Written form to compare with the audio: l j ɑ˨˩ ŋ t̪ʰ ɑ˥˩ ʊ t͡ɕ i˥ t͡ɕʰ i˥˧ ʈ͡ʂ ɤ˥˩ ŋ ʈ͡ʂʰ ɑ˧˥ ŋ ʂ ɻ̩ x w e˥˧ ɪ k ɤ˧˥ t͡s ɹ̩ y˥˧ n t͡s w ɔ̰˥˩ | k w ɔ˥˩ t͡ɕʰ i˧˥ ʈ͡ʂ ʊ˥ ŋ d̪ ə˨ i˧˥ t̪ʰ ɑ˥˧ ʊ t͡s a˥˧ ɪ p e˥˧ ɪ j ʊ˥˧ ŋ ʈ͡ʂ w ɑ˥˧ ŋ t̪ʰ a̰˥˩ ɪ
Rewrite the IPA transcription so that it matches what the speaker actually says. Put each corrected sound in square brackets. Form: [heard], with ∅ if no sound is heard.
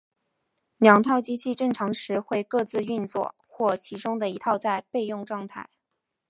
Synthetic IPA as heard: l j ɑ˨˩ ŋ t̪ʰ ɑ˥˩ ʊ t͡ɕ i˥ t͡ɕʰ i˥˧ ʈ͡ʂ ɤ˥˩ ŋ ʈ͡ʂʰ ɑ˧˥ ŋ ʂ ɻ̩ x w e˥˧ ɪ k [ɤ˥˧] t͡s ɹ̩ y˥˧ n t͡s w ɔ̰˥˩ | [x] w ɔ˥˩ t͡ɕʰ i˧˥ ʈ͡ʂ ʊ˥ ŋ d̪ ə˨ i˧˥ t̪ʰ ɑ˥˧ ʊ t͡s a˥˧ ɪ p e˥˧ ɪ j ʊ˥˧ ŋ ʈ͡ʂ w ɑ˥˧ ŋ t̪ʰ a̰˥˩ ɪ